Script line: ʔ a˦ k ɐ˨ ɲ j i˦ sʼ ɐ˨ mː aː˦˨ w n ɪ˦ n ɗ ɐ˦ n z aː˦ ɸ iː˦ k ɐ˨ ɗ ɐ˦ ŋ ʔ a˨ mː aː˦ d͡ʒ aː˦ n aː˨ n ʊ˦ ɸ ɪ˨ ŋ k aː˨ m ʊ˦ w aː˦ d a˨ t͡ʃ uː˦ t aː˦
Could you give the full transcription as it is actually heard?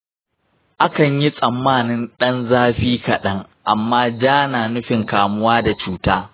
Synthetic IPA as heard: ʔ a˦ k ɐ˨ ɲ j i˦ sʼ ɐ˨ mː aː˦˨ n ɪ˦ n ɗ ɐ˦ n z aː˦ ɸ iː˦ k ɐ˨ ɗ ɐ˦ ŋ ʔ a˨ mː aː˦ d͡ʒ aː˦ n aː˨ n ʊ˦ ɸ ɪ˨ ŋ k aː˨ m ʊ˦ w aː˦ d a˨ t͡ʃ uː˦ t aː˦